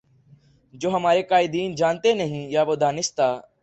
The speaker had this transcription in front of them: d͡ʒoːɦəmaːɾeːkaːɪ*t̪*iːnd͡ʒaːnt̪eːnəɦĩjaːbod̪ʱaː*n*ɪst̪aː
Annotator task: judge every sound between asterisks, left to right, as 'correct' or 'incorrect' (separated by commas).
incorrect, correct